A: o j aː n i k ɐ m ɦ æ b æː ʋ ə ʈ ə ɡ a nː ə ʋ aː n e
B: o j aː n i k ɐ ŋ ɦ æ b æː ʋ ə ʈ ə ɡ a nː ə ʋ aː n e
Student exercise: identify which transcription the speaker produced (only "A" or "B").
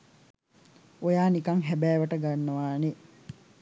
B